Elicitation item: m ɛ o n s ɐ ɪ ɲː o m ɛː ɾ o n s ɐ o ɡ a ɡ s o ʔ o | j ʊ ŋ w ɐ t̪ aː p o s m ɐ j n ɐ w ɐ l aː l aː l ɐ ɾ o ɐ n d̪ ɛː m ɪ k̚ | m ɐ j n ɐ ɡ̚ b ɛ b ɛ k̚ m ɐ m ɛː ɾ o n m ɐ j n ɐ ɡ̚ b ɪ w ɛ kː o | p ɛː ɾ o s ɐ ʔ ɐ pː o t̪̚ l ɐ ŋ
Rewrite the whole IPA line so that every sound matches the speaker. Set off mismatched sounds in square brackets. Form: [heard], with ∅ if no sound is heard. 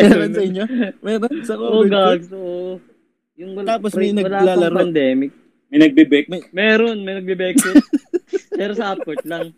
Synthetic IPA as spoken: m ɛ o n s ɐ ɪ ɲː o m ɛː ɾ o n s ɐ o ɡ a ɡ s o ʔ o | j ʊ ŋ w ɐ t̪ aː p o s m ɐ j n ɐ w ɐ l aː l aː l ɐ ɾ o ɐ n d̪ ɛː m ɪ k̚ | m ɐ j n ɐ ɡ̚ b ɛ b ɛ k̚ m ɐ m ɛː ɾ o n m ɐ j n ɐ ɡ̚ b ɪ [b] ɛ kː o | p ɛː ɾ o s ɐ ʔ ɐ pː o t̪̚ l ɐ ŋ